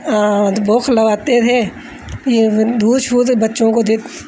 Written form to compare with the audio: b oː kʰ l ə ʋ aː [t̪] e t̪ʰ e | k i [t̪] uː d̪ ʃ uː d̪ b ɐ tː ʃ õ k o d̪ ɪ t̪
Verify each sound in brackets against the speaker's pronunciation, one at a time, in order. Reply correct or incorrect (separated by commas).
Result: correct, incorrect